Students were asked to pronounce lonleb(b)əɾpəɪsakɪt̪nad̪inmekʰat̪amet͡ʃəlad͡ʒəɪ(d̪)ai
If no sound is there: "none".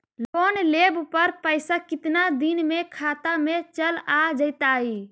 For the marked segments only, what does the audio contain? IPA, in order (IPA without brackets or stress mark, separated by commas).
p, t̪